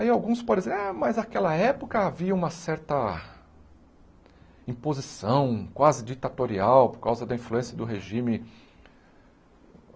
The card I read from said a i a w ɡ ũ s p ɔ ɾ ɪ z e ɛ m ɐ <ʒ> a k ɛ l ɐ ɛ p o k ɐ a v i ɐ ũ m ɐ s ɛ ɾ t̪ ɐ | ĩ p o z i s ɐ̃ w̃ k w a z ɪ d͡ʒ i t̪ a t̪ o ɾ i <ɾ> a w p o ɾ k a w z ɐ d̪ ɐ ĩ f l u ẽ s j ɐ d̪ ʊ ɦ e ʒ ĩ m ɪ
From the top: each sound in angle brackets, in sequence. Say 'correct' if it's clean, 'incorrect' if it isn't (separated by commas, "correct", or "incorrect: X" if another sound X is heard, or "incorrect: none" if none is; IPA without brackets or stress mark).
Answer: incorrect: z, incorrect: none